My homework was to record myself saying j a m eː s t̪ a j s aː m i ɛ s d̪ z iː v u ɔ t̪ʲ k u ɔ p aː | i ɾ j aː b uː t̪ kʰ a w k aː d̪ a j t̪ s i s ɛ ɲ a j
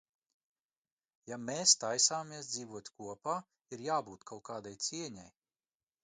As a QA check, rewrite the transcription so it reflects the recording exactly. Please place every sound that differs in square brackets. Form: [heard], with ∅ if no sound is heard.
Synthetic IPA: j a m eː s t̪ a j s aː m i ɛ s d̪ z iː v u ɔ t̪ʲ k u ɔ p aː | i ɾ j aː b uː t̪ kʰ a w k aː d̪ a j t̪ s i [∅] ɛ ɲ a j